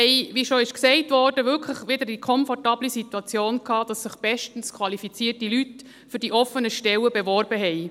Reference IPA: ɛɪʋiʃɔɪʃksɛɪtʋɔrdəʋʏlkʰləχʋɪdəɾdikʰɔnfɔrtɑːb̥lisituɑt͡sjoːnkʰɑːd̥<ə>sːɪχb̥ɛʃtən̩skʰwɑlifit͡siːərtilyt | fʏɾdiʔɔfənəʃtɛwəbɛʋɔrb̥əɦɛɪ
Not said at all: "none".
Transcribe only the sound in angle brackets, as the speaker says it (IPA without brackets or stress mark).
ɑ